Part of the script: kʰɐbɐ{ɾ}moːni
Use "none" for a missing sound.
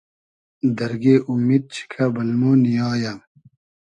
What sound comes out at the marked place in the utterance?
l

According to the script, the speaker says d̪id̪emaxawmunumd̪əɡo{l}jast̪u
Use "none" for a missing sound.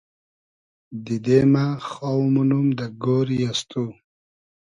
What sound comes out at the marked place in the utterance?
ɾ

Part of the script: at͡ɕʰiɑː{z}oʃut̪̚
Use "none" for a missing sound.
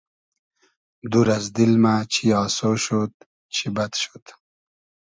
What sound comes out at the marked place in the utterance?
s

